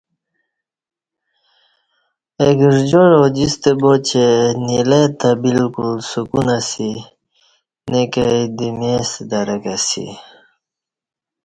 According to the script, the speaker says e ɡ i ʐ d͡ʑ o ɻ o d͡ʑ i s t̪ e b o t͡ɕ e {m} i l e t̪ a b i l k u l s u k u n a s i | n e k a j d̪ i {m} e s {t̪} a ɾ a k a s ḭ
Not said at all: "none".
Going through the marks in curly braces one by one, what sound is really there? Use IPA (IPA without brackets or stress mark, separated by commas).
n, m, d̪